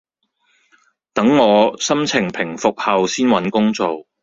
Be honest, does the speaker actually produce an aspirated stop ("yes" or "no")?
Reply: yes